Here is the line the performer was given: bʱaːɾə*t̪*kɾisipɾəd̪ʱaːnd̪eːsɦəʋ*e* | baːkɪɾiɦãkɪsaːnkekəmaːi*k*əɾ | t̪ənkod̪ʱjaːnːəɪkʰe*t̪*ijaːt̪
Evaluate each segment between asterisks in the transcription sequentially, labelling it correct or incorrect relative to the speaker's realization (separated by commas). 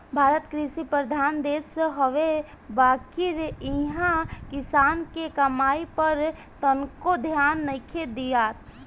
correct, correct, incorrect, incorrect